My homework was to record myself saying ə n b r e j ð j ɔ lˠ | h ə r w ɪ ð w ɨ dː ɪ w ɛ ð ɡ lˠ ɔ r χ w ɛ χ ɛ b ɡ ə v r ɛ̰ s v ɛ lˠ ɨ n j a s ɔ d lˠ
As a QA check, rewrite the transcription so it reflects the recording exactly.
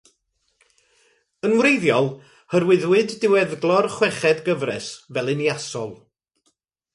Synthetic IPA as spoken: ə n w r e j ð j ɔ lˠ | h ə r w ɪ ð w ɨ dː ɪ w ɛ ð ɡ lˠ ɔ r χ w ɛ χ ɛ d ɡ ə v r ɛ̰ s v ɛ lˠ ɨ n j a s ɔ lˠ